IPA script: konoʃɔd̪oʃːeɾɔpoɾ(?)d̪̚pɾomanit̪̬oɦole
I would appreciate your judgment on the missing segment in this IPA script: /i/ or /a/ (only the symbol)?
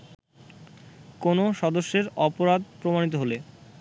a